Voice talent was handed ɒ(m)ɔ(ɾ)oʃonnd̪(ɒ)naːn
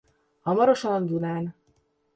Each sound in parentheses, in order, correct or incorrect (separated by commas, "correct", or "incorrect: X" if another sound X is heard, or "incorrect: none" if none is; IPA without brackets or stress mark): correct, correct, incorrect: u